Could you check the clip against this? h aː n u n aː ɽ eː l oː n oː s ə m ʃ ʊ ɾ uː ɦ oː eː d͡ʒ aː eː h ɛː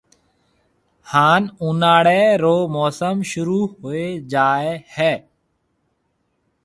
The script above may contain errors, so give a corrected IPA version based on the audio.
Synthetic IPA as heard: h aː n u n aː ɽ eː ɾ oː m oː s ə m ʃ ʊ ɾ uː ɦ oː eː d͡ʒ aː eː h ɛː